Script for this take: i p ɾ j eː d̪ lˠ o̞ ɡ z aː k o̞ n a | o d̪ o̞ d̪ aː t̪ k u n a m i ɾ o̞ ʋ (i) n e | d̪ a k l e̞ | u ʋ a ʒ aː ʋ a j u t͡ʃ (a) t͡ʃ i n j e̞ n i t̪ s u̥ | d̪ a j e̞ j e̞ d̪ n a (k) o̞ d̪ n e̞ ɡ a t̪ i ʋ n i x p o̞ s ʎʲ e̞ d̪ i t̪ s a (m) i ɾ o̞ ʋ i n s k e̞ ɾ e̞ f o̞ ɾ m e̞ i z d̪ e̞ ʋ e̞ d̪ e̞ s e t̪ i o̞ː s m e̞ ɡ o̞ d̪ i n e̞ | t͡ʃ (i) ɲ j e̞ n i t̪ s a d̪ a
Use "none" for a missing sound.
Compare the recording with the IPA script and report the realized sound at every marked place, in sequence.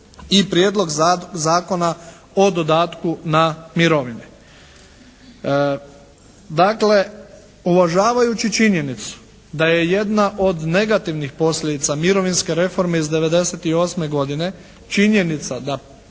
i, i, ʔ, m, i

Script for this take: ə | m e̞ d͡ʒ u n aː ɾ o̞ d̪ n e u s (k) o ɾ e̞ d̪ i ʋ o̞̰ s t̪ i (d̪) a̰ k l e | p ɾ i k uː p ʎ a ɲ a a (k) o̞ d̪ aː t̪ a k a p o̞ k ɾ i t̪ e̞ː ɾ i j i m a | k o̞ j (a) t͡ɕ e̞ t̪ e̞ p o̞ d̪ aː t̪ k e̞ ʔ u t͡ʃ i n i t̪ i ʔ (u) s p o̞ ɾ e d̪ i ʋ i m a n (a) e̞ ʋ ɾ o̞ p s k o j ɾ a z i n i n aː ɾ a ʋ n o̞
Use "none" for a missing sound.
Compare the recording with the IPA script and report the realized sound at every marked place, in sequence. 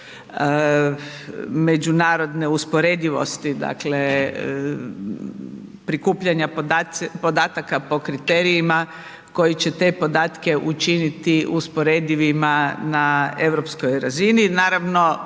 p, d̪, p, i, u, a

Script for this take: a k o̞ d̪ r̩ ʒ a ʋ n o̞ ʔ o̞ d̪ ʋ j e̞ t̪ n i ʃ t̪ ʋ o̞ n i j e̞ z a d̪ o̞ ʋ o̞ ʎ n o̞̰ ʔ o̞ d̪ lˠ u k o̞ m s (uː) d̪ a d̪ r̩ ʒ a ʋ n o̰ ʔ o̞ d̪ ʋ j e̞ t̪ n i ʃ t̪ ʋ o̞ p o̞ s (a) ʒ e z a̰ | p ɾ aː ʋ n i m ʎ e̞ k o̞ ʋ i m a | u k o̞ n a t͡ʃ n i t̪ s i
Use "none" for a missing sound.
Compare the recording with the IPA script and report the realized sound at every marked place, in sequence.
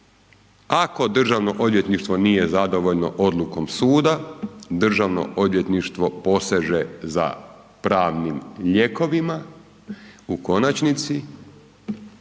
uː, e

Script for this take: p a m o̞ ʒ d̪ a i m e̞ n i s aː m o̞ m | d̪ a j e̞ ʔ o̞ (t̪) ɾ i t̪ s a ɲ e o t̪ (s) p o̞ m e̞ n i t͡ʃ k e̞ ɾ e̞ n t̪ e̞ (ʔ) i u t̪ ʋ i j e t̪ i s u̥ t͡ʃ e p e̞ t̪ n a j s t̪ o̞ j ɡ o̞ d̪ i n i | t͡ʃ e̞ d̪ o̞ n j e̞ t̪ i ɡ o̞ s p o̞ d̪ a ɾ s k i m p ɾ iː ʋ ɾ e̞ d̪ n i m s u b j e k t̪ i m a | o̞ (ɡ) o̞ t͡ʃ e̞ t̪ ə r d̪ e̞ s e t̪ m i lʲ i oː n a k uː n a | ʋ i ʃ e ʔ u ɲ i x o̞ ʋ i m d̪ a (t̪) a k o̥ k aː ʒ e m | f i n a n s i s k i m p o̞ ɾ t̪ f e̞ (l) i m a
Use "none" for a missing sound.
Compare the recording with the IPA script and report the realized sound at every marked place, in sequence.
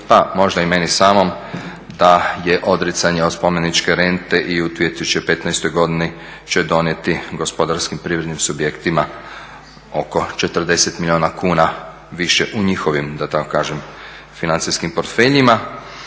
d̪, s, ʔ, k, t̪, ʎ

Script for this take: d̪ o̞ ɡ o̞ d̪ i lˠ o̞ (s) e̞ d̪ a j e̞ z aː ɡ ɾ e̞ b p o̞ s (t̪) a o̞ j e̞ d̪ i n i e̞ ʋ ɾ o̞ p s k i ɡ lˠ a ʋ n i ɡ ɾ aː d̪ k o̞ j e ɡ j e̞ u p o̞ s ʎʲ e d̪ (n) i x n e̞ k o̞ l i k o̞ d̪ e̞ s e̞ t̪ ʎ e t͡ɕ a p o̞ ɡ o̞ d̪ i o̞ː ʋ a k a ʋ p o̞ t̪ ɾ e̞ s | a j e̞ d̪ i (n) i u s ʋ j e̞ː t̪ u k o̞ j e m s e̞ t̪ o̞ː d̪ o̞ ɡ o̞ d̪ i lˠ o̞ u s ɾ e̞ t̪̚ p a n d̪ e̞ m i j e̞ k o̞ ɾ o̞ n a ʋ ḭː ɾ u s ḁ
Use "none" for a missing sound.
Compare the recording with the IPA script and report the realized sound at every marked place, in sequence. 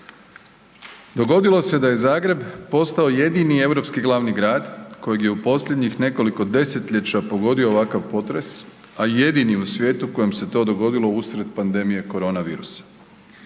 s, t̪, ɲ, n

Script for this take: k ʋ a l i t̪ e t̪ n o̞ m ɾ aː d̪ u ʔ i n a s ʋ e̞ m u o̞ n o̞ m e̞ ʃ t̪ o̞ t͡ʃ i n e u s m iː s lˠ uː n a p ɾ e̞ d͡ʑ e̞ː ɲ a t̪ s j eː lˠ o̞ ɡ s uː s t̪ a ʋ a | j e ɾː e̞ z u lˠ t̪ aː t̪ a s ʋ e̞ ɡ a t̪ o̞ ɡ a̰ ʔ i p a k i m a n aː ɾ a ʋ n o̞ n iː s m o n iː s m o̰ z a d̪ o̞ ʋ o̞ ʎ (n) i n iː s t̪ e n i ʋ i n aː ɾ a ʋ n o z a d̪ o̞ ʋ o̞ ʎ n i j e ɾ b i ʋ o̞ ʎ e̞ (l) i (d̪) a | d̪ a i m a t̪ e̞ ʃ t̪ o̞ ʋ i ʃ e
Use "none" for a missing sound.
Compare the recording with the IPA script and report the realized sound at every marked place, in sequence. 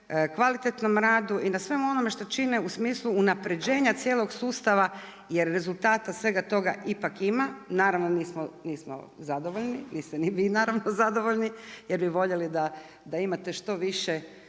n, l, d̪

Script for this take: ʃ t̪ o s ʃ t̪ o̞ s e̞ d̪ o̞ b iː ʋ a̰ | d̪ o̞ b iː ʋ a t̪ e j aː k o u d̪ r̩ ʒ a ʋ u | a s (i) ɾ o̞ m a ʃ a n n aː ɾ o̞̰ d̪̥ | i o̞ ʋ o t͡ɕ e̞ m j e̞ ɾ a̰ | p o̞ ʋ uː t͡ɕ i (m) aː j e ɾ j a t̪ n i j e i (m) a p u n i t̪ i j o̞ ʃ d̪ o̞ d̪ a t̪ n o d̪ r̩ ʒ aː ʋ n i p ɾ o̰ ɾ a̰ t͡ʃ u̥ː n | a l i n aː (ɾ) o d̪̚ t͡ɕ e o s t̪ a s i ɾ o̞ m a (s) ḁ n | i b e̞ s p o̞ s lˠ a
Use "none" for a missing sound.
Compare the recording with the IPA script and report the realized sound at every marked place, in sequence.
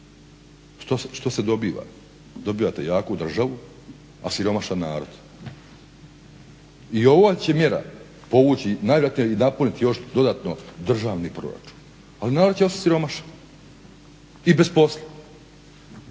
i, n, n, ɾ, ʃ

